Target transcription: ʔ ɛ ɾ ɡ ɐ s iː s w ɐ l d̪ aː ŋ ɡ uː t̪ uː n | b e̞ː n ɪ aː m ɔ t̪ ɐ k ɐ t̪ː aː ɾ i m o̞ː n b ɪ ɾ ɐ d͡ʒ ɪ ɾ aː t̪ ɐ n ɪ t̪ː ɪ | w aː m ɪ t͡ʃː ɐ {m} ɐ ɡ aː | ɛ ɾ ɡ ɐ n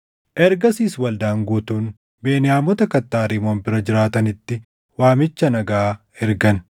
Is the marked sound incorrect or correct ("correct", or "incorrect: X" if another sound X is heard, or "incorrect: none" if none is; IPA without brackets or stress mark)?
incorrect: n